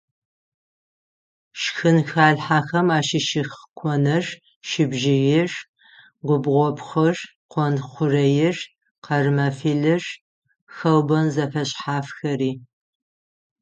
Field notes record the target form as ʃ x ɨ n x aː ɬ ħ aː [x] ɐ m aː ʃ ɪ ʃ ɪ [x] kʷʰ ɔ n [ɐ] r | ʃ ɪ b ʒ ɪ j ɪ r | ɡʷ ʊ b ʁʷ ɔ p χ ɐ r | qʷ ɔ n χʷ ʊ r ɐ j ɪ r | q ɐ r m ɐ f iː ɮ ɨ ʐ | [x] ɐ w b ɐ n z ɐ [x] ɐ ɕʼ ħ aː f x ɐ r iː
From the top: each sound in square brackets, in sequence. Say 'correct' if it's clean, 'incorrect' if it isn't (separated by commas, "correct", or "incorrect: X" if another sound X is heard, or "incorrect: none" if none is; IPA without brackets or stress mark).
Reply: correct, correct, correct, correct, incorrect: f